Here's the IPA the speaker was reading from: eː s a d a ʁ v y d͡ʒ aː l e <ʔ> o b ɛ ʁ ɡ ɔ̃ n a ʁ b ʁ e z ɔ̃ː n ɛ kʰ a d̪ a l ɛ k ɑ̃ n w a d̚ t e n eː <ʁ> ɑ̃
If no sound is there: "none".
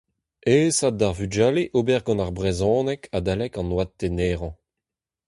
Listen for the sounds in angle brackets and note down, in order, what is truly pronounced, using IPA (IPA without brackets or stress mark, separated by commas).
ʔ, ʁ